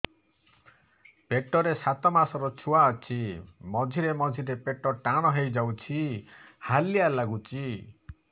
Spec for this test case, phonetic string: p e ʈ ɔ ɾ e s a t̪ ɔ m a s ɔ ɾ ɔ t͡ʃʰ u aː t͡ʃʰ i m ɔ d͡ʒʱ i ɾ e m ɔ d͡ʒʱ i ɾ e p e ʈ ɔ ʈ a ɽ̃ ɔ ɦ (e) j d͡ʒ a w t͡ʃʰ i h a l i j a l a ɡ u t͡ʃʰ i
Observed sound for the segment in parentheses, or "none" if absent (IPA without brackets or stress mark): e